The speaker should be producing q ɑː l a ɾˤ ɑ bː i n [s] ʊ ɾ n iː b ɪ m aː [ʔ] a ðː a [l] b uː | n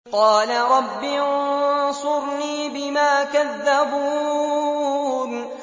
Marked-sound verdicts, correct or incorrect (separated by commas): correct, incorrect, incorrect